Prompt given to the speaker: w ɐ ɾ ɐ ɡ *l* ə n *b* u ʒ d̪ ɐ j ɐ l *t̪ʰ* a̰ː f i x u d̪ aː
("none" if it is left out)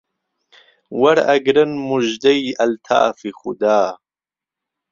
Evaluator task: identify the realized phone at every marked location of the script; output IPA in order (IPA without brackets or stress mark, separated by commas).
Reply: ɾ, m, t̪ʰ